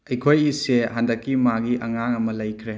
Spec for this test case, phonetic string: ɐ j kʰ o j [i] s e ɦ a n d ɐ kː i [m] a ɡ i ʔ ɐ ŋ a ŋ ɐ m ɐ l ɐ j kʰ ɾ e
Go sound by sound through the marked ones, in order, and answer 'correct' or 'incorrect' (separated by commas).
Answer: correct, correct